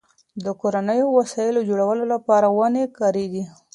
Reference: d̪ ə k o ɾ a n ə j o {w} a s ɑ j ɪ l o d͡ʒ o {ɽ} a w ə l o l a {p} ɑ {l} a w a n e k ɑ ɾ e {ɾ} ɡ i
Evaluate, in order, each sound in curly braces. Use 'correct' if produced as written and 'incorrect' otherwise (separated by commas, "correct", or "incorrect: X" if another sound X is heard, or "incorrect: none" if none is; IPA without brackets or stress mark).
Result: correct, correct, correct, incorrect: ɾ, incorrect: none